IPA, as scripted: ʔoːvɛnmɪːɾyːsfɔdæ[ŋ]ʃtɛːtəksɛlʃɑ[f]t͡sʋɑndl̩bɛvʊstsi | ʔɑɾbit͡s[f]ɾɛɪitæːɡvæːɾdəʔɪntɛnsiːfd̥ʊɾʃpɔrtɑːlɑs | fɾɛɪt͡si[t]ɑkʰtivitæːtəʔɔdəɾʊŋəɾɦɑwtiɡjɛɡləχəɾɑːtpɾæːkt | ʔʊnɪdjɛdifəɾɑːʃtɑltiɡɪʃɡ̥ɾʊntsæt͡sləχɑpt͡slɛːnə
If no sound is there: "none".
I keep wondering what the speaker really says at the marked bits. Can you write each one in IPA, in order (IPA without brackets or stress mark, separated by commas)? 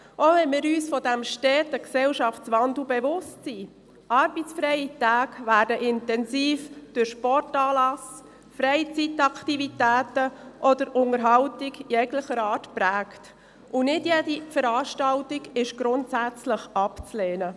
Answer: m, f, f, t